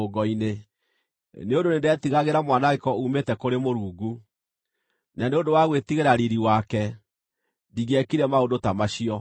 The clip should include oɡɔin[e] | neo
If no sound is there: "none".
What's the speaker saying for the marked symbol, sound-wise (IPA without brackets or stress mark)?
e